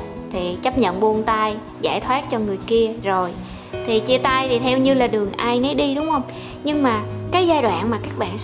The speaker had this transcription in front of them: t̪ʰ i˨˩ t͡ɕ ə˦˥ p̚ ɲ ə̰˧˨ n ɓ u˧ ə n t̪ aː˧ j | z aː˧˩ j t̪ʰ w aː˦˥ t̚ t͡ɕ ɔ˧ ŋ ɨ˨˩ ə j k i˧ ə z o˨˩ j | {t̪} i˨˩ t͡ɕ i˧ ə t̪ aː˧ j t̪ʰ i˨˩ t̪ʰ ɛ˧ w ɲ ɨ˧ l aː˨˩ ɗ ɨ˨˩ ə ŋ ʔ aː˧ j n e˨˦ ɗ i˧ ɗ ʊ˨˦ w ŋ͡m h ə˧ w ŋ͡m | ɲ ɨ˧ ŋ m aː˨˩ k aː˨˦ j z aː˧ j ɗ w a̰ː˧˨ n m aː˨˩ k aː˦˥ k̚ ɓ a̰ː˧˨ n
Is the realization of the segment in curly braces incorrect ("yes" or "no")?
yes